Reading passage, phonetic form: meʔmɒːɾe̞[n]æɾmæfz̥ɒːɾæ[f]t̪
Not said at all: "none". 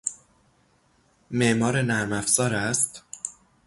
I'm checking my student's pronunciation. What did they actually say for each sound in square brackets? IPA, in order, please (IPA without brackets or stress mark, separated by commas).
n, s